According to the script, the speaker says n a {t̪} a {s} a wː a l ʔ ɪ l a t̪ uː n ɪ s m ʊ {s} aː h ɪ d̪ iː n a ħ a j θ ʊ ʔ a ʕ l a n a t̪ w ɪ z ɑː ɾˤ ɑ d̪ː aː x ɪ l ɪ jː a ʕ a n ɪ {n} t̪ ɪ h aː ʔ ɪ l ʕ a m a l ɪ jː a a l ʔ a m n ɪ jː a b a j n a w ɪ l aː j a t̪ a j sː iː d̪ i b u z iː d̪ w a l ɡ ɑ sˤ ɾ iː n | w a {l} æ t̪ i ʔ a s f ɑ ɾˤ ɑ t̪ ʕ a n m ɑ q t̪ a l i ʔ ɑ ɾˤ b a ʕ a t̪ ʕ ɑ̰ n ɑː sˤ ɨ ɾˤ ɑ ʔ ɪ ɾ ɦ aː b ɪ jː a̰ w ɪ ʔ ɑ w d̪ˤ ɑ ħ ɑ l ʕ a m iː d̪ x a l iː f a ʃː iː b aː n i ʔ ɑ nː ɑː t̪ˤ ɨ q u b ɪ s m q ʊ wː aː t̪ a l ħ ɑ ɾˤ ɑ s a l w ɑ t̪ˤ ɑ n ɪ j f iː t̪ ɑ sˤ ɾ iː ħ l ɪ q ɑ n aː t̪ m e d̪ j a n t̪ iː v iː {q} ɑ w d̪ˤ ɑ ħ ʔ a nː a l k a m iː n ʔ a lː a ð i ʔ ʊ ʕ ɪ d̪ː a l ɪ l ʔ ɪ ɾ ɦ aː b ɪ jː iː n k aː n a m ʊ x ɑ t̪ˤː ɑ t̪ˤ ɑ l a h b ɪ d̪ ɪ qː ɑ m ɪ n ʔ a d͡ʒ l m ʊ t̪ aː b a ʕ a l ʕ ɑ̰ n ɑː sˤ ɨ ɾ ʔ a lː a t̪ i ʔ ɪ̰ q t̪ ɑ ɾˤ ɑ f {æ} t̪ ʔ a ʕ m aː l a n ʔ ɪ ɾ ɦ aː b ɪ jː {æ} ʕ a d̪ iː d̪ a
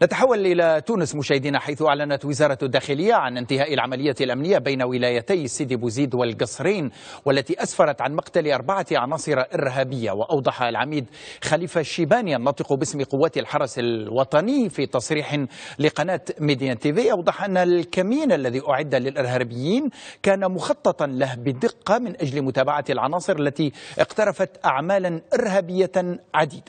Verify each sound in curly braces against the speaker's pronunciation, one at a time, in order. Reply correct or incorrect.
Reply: correct, incorrect, incorrect, correct, incorrect, incorrect, incorrect, incorrect

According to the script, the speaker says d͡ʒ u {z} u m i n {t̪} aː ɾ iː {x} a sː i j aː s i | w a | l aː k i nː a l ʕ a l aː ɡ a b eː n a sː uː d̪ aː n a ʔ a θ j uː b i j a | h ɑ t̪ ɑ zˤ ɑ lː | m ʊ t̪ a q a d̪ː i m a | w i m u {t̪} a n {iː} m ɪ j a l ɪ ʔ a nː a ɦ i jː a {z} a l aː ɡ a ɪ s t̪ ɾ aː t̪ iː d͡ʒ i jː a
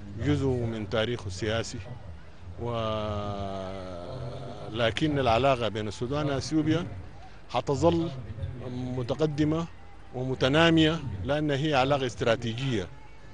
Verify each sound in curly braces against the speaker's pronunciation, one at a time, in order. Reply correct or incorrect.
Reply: correct, correct, correct, correct, incorrect, incorrect

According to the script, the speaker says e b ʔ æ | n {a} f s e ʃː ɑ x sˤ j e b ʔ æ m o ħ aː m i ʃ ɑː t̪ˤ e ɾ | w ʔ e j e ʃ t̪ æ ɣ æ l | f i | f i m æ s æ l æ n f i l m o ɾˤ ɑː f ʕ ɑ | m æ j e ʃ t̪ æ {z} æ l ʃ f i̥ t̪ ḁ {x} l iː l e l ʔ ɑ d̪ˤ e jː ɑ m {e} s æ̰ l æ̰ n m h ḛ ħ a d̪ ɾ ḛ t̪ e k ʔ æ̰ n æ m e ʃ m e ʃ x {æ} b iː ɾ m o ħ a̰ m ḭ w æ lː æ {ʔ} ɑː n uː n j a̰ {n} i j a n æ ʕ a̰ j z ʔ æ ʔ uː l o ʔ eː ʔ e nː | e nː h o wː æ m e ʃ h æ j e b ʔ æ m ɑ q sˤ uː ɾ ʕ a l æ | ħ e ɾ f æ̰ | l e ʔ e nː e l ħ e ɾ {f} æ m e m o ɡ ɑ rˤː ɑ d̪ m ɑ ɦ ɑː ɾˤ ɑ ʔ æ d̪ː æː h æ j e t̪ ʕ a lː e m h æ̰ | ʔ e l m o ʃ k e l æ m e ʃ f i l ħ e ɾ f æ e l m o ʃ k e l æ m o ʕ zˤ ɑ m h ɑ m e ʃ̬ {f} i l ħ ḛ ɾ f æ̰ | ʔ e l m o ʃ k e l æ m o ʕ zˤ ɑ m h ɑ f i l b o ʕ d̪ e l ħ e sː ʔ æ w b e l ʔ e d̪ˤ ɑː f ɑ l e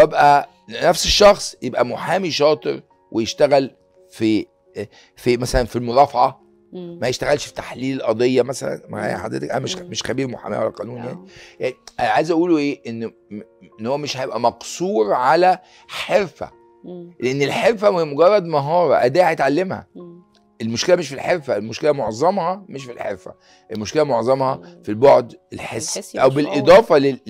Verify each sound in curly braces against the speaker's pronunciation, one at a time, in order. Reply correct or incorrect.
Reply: incorrect, incorrect, incorrect, incorrect, correct, incorrect, correct, correct, correct

